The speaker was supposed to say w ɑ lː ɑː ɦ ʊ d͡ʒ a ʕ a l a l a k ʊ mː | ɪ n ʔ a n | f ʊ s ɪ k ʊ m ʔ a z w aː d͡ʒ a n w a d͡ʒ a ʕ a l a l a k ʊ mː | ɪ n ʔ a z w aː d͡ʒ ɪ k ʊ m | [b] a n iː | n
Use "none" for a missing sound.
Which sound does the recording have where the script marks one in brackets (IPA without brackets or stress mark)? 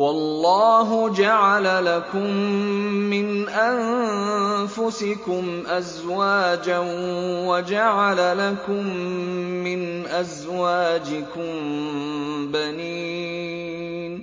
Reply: b